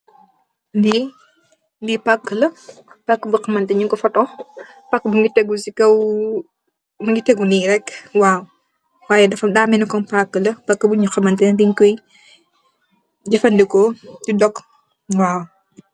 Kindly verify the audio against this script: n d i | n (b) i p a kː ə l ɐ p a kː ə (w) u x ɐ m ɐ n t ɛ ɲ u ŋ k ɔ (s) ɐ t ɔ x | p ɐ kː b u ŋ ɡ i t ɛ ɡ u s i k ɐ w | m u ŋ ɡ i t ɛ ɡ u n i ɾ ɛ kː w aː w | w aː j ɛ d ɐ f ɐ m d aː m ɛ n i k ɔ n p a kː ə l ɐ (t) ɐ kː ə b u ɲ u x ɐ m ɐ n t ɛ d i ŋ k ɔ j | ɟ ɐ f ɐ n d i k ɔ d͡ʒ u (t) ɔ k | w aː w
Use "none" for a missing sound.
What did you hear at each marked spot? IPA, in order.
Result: d, b, f, p, d

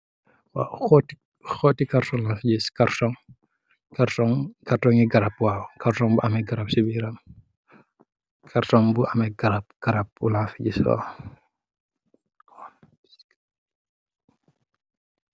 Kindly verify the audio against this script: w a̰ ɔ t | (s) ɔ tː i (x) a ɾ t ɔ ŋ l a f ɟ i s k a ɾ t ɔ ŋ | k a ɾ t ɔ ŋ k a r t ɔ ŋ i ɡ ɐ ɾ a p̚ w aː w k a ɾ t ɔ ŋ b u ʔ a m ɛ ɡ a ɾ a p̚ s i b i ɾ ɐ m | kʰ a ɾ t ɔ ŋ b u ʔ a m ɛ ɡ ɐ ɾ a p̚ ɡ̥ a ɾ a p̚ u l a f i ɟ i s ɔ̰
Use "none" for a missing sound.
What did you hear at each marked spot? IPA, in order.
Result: x, k

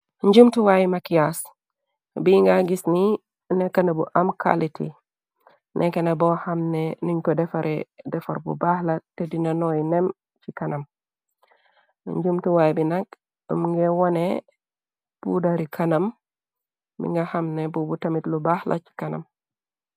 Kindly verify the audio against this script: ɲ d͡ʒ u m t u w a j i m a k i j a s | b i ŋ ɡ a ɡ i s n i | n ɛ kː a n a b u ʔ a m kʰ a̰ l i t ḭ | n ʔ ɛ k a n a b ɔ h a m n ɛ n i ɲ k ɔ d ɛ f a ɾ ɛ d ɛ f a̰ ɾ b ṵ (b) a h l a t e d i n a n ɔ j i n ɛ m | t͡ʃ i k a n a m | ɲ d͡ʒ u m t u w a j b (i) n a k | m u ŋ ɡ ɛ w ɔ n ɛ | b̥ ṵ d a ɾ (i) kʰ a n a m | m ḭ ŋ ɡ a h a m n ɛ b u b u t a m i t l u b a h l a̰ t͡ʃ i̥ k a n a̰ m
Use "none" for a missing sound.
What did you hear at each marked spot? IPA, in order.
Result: b, i, i

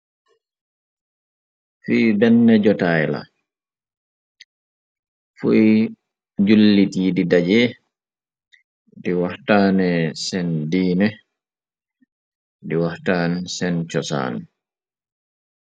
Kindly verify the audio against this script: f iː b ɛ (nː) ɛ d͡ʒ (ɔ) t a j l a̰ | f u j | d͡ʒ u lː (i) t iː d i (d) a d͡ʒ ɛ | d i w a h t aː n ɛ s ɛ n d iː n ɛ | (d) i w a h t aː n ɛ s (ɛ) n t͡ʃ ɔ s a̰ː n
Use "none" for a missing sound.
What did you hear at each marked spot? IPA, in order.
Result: nː, ɔ, i, d, d, ɛ

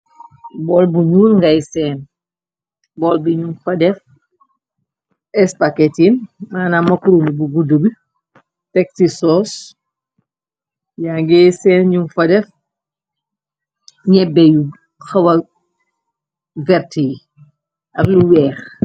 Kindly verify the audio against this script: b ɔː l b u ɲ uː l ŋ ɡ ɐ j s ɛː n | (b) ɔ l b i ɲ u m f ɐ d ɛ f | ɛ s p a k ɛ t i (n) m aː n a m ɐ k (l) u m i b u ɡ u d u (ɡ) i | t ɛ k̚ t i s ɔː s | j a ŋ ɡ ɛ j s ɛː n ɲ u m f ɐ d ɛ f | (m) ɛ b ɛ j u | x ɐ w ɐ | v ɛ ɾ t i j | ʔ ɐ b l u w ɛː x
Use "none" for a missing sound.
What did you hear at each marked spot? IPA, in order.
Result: b, n, ɾ, b, ɲ

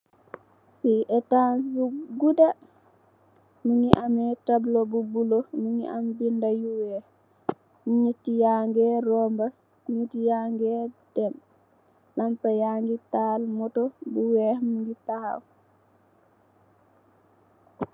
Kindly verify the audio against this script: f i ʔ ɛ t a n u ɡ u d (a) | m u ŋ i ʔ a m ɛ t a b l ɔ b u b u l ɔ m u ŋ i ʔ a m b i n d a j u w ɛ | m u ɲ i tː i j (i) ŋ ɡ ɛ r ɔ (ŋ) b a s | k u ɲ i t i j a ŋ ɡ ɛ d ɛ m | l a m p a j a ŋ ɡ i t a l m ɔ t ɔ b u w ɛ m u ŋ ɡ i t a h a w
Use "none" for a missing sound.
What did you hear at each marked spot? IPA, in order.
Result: a, a, m

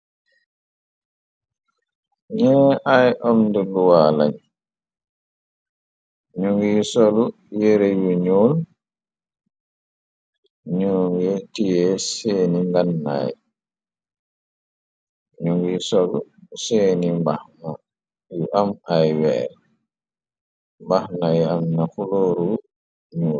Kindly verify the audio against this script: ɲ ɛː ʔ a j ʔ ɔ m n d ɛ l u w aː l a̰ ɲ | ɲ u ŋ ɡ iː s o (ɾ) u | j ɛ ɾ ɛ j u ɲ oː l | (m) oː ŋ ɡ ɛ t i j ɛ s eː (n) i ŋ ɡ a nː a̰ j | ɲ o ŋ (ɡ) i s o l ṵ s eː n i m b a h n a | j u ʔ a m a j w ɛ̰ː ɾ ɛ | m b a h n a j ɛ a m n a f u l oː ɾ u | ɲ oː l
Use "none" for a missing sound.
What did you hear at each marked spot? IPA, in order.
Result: l, ɲ, n, ɡ

